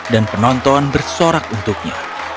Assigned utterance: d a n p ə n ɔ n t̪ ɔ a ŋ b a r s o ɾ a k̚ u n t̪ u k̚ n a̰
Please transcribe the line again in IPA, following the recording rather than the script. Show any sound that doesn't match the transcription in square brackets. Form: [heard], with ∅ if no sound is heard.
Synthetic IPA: d a n p ə n ɔ n t̪ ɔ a [n] b [ə] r s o ɾ a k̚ u n t̪ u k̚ [ɲ] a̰